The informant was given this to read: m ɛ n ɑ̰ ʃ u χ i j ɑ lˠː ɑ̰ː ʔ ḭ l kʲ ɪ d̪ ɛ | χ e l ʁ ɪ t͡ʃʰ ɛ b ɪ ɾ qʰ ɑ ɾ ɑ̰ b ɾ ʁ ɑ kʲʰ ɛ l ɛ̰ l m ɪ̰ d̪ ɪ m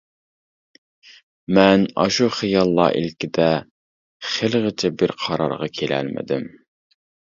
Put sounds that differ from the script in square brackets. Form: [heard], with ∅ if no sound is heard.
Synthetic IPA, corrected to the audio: m ɛ n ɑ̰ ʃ u χ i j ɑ lˠː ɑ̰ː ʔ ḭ l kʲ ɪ d̪ ɛ | χ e l ʁ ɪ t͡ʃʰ ɛ b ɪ ɾ qʰ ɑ ɾ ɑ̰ [∅] ɾ ʁ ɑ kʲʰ [e] l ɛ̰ l m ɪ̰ d̪ ɪ m